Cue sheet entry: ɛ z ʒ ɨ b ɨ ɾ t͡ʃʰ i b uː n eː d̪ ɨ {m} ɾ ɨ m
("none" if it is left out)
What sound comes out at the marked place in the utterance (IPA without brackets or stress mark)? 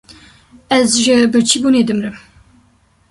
m